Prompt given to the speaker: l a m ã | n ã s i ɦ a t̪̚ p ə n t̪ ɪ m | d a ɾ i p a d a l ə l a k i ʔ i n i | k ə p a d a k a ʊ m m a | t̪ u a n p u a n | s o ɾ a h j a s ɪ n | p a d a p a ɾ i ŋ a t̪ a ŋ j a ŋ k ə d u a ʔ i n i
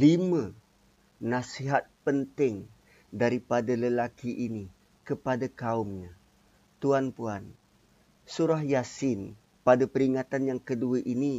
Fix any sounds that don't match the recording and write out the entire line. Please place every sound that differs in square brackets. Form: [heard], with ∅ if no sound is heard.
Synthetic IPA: l [i] m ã | n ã s i ɦ a t̪̚ p ə n t̪ ɪ [ŋ] | d a ɾ i p a d a l ə l a k i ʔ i n i | k ə p a d a k a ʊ m [ɲ] a | t̪ u a n p u a n | s [u] ɾ a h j a s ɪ n | p a d a p [ə] ɾ i ŋ a t̪ a [n] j a ŋ k ə d u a ʔ i n i